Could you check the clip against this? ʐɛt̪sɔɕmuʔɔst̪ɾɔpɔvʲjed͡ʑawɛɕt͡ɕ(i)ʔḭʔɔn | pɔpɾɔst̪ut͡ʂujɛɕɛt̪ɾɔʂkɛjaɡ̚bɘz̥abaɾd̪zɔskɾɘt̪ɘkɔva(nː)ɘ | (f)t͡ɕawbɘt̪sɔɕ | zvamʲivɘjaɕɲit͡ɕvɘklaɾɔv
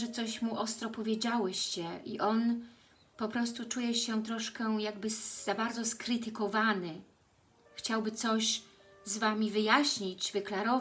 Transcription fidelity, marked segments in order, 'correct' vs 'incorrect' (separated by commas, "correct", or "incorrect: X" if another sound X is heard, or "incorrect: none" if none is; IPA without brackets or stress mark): incorrect: ɛ, incorrect: n, incorrect: x